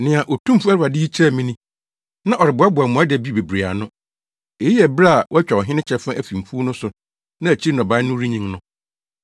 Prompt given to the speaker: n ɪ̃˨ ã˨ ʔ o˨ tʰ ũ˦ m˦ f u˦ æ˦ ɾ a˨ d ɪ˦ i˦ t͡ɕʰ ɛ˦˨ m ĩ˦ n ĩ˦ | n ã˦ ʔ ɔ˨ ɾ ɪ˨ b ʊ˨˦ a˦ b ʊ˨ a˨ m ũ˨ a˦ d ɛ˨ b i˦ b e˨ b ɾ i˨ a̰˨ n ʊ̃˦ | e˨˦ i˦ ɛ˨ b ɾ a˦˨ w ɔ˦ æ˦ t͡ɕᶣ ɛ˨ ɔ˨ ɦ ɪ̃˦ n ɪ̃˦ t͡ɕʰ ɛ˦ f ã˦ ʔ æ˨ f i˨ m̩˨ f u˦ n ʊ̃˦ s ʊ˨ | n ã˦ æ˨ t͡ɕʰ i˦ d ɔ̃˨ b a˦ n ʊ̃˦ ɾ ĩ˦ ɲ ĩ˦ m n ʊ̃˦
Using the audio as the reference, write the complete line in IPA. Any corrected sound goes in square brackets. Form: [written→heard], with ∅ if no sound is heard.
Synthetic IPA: n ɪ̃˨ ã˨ ʔ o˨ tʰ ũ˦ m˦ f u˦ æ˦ ɾ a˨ d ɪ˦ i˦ t͡ɕʰ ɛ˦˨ m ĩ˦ n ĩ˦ | n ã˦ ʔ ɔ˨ ɾ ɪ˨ b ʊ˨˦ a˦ b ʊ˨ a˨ m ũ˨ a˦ d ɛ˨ b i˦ b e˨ b ɾ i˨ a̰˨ n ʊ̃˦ | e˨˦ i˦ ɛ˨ b ɾ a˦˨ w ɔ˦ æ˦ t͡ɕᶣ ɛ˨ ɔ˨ ɦ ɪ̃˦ n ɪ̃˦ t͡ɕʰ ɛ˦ f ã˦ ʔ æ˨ f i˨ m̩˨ f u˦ n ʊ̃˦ s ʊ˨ | n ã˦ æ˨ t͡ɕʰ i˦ [d→n] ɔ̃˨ b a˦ n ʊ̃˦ ɾ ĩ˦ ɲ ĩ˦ [m→ŋ] n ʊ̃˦